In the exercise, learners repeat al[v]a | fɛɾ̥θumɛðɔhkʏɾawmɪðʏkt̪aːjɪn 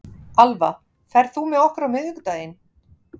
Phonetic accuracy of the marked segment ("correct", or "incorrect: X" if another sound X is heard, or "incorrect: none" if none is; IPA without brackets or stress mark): correct